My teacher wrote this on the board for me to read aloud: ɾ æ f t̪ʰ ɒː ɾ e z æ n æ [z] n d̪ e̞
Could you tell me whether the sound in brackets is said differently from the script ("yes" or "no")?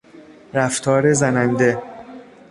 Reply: yes